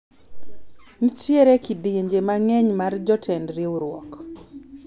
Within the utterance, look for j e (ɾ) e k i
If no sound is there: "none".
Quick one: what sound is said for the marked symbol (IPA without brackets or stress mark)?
ɾ